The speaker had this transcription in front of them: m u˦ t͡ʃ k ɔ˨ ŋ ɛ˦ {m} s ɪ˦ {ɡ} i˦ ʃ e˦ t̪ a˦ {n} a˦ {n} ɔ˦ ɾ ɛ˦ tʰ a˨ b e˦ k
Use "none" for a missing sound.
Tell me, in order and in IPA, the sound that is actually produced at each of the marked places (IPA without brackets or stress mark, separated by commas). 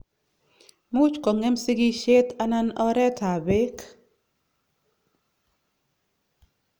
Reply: m, ɡ, n, n